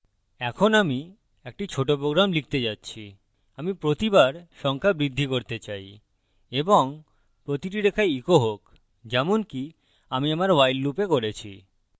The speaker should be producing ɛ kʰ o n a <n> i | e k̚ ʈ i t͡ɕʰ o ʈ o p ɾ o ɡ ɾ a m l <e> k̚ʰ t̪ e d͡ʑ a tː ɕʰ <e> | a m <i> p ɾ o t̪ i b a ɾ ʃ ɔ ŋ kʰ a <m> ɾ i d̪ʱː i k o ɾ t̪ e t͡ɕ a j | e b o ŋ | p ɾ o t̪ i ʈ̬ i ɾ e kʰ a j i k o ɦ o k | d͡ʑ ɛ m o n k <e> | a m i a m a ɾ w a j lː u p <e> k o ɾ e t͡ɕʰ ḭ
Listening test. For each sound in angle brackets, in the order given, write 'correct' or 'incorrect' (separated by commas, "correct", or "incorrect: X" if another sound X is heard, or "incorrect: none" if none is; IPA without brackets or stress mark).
incorrect: m, incorrect: i, incorrect: i, correct, incorrect: b, incorrect: i, correct